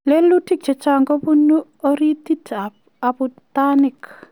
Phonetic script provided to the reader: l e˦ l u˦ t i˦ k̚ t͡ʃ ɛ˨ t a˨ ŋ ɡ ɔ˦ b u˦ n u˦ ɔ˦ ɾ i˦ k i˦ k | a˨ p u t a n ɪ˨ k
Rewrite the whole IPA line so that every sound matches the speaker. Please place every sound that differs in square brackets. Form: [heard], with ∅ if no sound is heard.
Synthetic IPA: l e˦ l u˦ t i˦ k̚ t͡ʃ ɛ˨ [t͡ʃ] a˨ ŋ ɡ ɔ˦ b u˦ n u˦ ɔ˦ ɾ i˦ [t] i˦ [t] | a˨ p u t a n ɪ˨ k